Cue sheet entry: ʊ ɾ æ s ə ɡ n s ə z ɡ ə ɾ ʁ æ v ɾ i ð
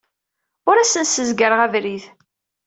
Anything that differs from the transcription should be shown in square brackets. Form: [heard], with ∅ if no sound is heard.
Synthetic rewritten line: ʊ ɾ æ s ə [∅] n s ə z ɡ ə ɾ ʁ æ v ɾ i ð